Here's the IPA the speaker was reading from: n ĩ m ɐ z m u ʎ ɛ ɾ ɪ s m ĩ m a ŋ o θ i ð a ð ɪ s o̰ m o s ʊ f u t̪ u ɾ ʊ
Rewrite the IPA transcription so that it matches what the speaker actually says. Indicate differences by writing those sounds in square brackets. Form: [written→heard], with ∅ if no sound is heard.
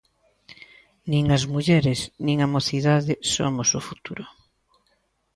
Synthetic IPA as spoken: n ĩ [m→ŋ] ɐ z m u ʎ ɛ ɾ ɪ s [m→n] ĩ [m→ŋ] a [ŋ→m] o θ i ð a ð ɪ s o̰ m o s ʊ f u t̪ u ɾ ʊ

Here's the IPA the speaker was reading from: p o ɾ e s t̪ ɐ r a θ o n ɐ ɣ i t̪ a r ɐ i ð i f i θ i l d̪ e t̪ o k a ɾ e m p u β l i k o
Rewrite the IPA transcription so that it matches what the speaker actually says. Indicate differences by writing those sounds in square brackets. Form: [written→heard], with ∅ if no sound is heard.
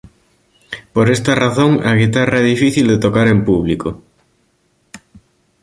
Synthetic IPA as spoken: p o ɾ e s t̪ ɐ r a θ o [n→ŋ] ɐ ɣ i t̪ a r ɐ [i→ɛ] ð i f i θ i l d̪ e t̪ o k a ɾ e m p u β l i k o

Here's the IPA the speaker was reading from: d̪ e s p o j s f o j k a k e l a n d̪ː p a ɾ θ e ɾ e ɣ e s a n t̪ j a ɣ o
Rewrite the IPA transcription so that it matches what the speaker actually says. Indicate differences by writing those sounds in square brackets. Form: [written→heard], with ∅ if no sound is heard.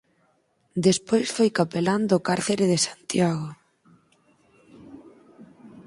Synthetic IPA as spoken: d̪ e s p o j s f o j k a [k→p] e l a n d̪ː [p→k] a ɾ θ e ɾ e [ɣ→ð] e s a n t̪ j a ɣ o

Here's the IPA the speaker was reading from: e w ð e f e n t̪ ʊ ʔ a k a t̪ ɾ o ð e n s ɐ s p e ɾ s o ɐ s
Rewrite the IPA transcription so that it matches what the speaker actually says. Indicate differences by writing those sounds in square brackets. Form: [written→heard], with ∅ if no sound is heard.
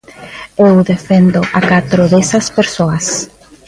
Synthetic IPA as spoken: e w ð e f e n [t̪→d̪] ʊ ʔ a k a t̪ ɾ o ð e [n→∅] s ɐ s p e ɾ s o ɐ s

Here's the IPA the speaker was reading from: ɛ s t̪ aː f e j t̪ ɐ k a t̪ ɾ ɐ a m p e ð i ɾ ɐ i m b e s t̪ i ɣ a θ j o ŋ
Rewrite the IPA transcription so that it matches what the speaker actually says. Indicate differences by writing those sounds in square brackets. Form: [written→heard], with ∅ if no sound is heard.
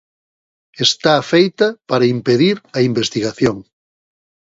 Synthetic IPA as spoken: [ɛ→e] s t̪ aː f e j t̪ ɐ [k→p] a [t̪→∅] ɾ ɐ [a→i] m p e ð i ɾ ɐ i m b e s t̪ i ɣ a θ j o ŋ

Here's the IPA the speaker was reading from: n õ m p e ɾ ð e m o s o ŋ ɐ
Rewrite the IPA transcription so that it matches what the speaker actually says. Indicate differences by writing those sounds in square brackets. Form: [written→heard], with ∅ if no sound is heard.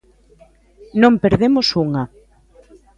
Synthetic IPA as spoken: n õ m p e ɾ ð e m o s [o→u] ŋ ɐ

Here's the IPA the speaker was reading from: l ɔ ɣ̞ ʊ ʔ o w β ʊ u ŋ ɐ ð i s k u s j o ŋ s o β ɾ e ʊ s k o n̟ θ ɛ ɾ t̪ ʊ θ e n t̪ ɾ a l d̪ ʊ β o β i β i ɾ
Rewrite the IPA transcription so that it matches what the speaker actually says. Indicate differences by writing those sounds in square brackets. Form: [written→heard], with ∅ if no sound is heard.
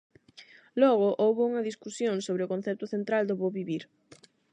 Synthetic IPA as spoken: l ɔ ɣ̞ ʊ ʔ o w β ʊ u ŋ ɐ ð i s k u s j o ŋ s o β ɾ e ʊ [s→∅] k o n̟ θ ɛ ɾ t̪ ʊ θ e n t̪ ɾ a l d̪ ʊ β o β i β i ɾ

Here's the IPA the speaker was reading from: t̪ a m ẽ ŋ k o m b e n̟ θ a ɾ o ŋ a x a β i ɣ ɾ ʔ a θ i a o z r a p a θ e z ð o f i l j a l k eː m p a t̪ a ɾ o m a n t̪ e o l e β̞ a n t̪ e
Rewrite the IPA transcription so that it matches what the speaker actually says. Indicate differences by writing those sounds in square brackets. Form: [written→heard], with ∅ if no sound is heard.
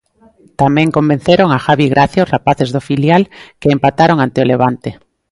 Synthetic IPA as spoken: t̪ a m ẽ ŋ k o m b e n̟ θ [a→e] ɾ o ŋ a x a β i ɣ ɾ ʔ a θ [i→j] a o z r a p a θ e z ð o f i l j a l k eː m p a t̪ a ɾ o [m→ŋ] a n t̪ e o l e β̞ a n t̪ e

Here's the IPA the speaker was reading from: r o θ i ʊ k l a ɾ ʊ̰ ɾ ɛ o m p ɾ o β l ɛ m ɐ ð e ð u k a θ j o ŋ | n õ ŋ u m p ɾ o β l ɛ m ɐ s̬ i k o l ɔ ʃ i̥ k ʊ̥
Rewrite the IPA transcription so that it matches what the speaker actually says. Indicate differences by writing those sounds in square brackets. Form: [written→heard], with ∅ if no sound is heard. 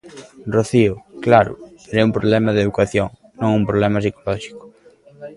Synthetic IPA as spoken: r o θ i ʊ k l a ɾ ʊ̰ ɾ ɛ [o→u] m p ɾ o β l ɛ m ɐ ð e ð u k a θ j o ŋ | n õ ŋ u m p ɾ o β l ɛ m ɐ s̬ i k o l ɔ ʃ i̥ k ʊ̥

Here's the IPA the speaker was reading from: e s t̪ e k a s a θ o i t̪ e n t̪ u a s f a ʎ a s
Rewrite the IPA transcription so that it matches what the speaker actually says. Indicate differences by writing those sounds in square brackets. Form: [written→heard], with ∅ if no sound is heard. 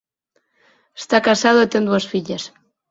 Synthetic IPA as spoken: e s t̪ [e→a] k a s a [θ→ð] o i t̪ e n [t̪→d̪] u a s f [a→i] ʎ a s

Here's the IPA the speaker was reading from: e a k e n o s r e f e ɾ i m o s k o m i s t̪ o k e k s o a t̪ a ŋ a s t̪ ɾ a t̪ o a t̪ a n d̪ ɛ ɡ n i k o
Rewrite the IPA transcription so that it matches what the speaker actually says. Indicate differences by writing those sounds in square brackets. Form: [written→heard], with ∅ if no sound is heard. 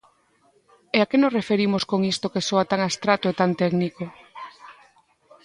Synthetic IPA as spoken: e a k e n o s r e f e ɾ i m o s k o [m→ŋ] i s t̪ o k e [k→∅] s o a t̪ a ŋ a s t̪ ɾ a t̪ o [a→e] t̪ a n [d̪→t̪] ɛ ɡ n i k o

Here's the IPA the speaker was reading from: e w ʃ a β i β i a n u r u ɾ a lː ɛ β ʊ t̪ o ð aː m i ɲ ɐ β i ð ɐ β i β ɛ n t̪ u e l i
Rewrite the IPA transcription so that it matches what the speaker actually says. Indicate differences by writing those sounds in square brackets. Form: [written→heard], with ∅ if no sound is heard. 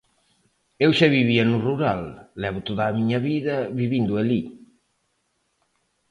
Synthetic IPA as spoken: e w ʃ a β i β i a n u r u ɾ a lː ɛ β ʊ t̪ o ð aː m i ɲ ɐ β i ð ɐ β i β [ɛ→i] n [t̪→d̪] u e l i

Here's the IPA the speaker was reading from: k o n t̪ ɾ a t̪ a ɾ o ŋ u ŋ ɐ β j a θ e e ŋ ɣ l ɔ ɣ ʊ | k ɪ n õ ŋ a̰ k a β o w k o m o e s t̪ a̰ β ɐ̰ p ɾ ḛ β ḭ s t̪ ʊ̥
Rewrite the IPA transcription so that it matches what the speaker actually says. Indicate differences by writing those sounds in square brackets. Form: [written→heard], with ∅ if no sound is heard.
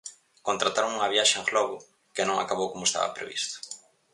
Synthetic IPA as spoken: k o n t̪ ɾ a t̪ a ɾ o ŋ u ŋ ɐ β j a [θ→ʃ] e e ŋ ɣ l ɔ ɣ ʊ | k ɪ n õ ŋ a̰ k a β o w k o m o e s t̪ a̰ β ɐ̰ p ɾ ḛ β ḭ s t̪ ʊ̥

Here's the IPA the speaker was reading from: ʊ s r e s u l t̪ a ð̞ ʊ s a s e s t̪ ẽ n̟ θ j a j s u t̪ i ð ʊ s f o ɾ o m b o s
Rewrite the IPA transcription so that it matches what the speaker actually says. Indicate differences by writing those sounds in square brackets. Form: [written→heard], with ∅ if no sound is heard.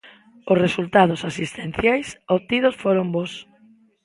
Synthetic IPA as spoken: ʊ s r e s u l t̪ a ð̞ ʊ s a s [e→i] s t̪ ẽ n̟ θ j a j s [u→o] t̪ i ð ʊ s f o ɾ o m b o s

